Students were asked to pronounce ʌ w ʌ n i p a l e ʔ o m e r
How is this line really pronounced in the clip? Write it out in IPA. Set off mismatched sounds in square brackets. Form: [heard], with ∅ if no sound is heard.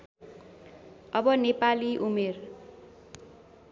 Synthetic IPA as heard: ʌ [b] ʌ n [e] p a l [i] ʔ [u] m e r